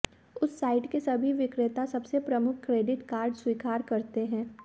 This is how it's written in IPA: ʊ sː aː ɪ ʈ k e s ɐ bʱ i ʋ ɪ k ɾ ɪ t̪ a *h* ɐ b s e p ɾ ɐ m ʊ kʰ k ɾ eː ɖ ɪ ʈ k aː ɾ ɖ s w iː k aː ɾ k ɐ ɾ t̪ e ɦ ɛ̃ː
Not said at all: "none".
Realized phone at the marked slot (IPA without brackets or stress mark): s